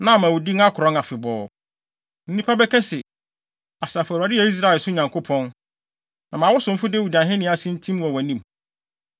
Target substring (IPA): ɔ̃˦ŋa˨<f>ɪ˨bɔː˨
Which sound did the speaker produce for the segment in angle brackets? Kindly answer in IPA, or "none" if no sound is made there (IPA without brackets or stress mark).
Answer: f